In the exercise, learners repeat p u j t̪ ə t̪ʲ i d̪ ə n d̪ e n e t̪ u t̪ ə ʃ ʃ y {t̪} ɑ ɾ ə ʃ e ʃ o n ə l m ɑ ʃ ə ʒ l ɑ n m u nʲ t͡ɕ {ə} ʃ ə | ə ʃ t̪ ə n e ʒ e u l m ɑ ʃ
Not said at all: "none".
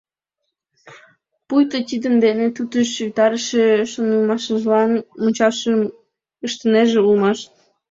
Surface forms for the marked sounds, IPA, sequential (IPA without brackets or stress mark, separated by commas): t̪, ɑ